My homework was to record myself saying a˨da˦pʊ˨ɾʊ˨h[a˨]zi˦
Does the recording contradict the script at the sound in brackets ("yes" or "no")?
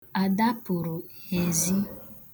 yes